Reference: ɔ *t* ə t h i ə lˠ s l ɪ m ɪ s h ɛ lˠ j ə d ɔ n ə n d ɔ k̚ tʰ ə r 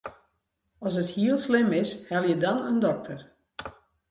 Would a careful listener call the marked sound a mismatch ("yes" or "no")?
yes